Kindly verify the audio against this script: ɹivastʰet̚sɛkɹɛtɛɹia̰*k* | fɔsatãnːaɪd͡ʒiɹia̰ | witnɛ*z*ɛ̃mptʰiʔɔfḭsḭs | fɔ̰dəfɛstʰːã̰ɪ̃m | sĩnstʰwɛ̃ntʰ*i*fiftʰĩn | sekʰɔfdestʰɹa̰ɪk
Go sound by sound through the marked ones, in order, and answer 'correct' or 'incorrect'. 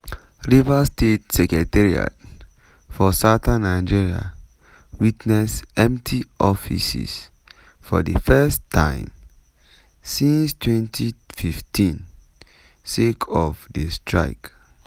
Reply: incorrect: t, incorrect: s, correct

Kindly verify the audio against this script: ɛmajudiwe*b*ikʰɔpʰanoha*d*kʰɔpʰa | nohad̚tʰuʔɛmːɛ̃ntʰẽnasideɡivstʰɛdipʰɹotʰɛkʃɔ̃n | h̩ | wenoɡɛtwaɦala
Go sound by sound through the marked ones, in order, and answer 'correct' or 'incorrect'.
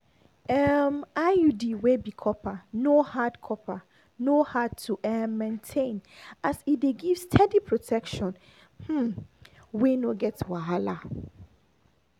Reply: correct, correct

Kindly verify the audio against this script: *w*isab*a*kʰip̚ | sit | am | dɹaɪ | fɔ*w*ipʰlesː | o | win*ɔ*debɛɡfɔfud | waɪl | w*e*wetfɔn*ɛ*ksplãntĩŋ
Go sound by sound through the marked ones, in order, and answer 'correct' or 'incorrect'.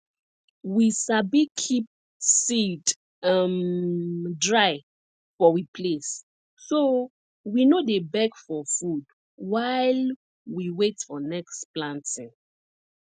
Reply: correct, incorrect: i, correct, incorrect: o, incorrect: i, correct

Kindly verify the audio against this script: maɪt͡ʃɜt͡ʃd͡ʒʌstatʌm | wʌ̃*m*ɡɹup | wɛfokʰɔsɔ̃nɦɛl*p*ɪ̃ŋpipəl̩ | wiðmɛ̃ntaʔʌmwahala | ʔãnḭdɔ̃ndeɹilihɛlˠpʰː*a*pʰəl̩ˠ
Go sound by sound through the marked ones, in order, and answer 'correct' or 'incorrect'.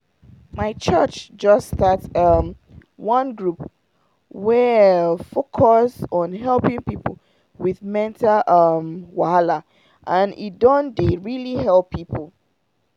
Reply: incorrect: n, correct, incorrect: i

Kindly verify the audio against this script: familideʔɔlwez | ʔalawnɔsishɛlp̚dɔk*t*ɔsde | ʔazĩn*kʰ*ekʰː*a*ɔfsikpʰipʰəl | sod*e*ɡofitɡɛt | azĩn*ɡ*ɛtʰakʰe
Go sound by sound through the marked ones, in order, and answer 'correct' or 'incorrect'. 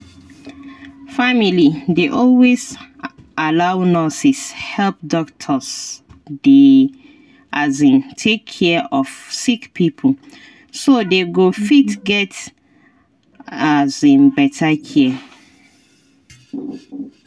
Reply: incorrect: tʰ, incorrect: tʰ, incorrect: ɛ, correct, incorrect: b

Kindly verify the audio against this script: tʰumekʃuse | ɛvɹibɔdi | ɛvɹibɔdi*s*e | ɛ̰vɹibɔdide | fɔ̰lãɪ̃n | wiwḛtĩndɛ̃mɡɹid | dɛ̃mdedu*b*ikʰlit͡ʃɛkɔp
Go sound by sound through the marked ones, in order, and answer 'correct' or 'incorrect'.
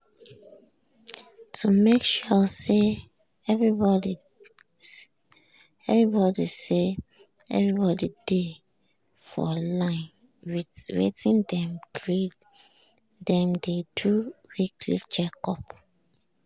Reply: correct, incorrect: w

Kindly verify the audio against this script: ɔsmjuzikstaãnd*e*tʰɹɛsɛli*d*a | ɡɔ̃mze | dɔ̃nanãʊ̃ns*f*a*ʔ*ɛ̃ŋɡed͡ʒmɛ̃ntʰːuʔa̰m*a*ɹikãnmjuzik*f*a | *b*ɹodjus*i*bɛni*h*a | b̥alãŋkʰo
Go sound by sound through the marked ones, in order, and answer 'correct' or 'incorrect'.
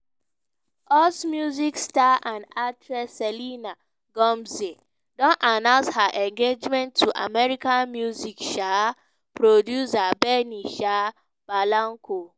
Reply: incorrect: a, incorrect: n, incorrect: h, correct, incorrect: ɛ, incorrect: ʃ, incorrect: p, incorrect: a, incorrect: ʃ

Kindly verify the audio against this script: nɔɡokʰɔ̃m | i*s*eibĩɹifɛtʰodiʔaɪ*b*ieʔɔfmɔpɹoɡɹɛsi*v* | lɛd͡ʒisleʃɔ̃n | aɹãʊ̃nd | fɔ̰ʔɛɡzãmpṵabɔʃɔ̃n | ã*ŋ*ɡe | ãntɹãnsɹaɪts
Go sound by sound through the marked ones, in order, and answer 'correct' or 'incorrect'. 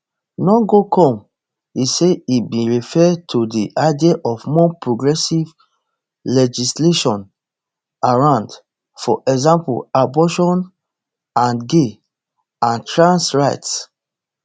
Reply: correct, incorrect: d, correct, incorrect: n

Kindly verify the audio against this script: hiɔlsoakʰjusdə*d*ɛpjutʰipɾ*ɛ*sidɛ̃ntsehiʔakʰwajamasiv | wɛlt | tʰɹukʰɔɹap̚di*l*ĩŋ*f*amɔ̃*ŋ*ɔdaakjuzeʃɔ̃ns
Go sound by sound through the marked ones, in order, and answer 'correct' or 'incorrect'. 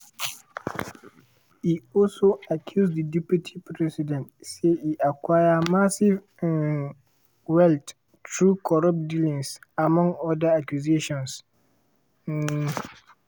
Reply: correct, correct, correct, incorrect: s, correct

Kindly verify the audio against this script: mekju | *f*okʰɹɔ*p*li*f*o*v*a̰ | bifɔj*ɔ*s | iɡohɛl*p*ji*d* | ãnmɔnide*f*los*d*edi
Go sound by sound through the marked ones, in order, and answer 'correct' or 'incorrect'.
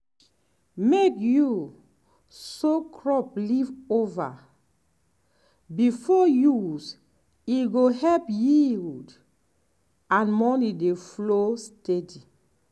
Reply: incorrect: s, correct, incorrect: v, correct, incorrect: u, correct, correct, correct, incorrect: t

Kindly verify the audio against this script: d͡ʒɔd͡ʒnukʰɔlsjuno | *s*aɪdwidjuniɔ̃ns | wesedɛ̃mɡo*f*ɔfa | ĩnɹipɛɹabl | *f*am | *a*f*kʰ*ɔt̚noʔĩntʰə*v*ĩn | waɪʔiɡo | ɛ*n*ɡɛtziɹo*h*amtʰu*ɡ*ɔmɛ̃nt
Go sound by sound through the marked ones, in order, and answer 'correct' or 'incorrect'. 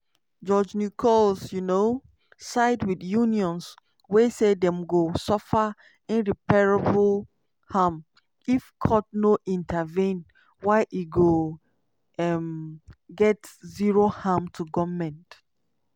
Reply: correct, incorrect: s, incorrect: h, incorrect: i, correct, correct, incorrect: m, correct, correct

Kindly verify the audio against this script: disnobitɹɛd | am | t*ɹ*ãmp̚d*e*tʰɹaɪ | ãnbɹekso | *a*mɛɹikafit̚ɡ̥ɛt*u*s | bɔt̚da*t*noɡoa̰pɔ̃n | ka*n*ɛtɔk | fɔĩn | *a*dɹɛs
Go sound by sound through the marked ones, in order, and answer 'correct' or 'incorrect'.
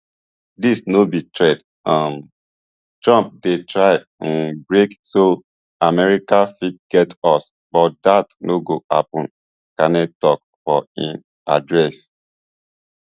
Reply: correct, correct, correct, incorrect: ɔ, correct, correct, correct

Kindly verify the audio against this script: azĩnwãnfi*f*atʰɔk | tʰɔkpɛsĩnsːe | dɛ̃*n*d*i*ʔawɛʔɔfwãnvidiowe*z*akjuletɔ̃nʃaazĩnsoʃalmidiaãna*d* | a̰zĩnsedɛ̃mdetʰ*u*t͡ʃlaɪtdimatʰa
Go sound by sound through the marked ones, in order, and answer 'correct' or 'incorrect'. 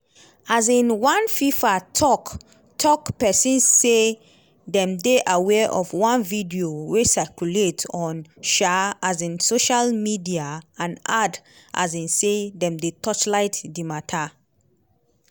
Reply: correct, incorrect: m, incorrect: e, incorrect: s, correct, incorrect: ɔ

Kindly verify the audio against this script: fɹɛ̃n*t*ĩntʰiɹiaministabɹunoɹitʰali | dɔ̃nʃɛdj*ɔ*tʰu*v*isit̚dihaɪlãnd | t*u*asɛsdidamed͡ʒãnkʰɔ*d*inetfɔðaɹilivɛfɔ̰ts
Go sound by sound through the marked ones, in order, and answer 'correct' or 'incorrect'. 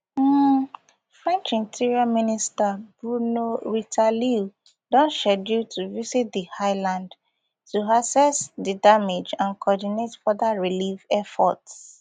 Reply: incorrect: t͡ʃ, incorrect: u, correct, correct, correct

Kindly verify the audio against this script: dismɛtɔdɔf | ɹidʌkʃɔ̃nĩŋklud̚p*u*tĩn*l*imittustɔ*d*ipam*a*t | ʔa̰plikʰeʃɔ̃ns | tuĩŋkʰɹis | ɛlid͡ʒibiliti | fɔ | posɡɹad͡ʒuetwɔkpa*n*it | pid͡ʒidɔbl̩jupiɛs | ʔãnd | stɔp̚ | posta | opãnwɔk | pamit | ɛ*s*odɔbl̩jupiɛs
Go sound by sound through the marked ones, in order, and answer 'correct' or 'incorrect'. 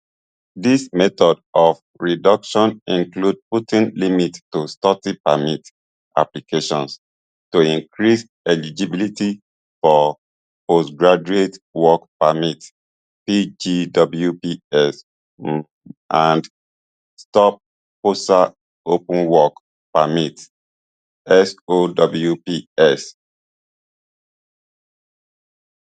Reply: correct, correct, incorrect: t, incorrect: i, incorrect: m, correct

